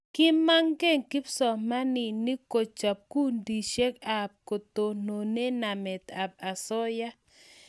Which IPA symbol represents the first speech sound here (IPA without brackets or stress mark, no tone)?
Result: k